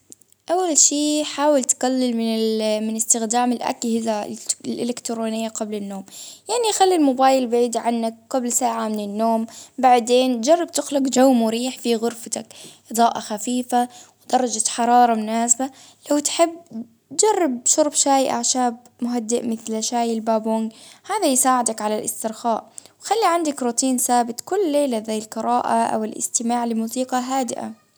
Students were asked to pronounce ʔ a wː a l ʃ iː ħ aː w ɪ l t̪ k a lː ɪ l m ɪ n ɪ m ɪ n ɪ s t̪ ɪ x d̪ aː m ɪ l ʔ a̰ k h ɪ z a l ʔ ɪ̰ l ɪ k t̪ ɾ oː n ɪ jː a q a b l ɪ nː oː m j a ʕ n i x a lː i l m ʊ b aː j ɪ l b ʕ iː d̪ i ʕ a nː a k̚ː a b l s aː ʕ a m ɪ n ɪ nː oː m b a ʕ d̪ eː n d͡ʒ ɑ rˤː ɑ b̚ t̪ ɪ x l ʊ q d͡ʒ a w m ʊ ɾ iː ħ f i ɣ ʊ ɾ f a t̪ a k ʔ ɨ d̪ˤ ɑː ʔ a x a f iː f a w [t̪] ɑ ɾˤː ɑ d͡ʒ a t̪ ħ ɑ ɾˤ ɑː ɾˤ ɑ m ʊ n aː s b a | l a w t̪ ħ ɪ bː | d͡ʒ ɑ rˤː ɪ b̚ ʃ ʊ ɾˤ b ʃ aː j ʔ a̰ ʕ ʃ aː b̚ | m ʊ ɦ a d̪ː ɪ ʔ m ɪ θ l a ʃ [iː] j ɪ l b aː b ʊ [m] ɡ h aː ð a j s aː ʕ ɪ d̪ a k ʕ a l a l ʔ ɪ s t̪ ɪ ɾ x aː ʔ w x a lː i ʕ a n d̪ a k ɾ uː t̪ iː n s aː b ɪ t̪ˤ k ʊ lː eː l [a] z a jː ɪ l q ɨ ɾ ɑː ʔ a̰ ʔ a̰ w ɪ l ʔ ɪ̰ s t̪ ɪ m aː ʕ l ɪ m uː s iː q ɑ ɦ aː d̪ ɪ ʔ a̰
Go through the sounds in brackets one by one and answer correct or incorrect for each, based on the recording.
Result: incorrect, incorrect, incorrect, correct

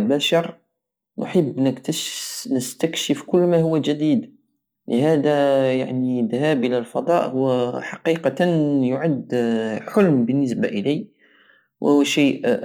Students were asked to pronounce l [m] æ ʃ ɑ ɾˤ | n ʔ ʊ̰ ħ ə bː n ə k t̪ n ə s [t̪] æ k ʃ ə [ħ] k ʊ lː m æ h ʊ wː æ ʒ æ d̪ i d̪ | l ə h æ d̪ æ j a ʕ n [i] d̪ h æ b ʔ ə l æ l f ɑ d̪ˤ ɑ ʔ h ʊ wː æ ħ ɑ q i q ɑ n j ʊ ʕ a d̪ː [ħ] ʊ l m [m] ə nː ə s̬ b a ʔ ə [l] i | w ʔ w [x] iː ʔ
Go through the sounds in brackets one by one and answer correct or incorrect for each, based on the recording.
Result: incorrect, correct, incorrect, correct, correct, incorrect, correct, incorrect

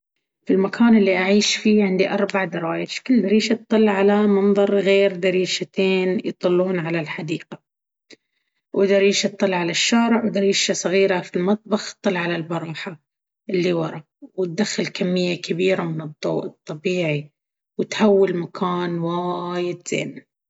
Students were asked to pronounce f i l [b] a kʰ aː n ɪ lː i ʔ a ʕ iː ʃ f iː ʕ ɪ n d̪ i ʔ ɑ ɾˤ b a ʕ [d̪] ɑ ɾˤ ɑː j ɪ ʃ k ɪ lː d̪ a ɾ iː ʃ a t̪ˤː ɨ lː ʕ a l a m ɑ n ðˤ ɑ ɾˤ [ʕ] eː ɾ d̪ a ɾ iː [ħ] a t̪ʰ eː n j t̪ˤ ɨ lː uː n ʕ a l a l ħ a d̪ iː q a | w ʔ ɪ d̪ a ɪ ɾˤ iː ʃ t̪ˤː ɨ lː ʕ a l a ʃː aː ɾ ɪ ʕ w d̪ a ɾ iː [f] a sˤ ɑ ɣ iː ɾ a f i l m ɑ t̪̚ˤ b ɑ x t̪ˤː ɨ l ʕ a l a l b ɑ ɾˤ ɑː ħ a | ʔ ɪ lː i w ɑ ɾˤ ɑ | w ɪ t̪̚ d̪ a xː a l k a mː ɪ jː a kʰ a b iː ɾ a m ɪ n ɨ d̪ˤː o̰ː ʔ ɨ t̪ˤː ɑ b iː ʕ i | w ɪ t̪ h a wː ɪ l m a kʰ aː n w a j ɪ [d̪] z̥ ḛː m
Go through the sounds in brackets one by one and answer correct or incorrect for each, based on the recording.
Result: incorrect, correct, incorrect, incorrect, incorrect, correct

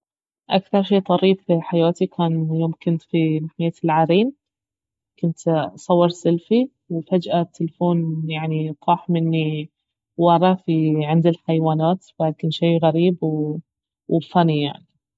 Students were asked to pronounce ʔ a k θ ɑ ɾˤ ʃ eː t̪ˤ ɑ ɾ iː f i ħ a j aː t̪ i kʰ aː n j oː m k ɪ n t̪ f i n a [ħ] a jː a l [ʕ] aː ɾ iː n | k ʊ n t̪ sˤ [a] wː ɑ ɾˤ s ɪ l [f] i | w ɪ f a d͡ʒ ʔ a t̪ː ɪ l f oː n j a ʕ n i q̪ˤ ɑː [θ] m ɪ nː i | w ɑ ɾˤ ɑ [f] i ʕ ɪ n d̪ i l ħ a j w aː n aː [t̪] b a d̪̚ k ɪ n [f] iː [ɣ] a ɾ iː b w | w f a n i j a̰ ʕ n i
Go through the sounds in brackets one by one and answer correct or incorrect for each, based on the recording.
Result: correct, correct, incorrect, correct, incorrect, correct, correct, incorrect, correct

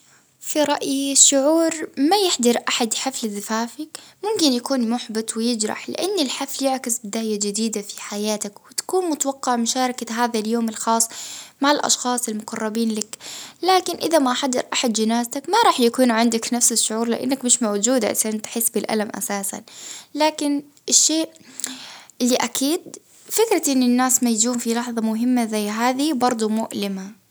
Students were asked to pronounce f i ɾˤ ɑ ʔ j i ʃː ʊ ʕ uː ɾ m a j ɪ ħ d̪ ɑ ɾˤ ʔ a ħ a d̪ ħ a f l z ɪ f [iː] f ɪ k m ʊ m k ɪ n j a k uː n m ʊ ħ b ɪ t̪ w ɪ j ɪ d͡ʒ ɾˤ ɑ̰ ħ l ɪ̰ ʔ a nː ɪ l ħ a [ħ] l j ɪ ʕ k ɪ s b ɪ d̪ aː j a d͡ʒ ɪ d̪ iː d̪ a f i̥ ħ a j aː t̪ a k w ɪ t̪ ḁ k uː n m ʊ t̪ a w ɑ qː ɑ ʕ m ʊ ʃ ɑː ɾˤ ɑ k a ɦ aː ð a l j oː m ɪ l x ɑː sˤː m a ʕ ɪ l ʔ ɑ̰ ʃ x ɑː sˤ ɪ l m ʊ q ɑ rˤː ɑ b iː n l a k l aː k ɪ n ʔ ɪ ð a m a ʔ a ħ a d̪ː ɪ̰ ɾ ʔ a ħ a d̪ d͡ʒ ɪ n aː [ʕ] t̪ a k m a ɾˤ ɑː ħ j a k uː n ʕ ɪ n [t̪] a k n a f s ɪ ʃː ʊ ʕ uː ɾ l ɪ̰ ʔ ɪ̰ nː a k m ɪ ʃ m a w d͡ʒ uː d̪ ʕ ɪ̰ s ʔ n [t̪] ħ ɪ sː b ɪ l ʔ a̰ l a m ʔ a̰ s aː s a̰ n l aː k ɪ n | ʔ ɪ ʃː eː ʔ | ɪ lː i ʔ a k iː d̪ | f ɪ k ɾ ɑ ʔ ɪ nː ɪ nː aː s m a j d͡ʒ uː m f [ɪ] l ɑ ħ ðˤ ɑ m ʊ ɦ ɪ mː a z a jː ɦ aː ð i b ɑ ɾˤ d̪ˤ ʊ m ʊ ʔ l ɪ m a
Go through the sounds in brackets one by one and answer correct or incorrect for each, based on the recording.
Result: incorrect, incorrect, incorrect, incorrect, correct, incorrect

